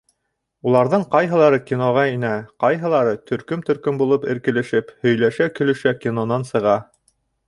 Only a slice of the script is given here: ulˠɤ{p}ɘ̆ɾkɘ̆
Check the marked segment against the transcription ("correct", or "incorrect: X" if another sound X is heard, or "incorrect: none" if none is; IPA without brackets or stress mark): correct